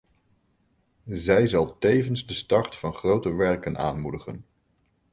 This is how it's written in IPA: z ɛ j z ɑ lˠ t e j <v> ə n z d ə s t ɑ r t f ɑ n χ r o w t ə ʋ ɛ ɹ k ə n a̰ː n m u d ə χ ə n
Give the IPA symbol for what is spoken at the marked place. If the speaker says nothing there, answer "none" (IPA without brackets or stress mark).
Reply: v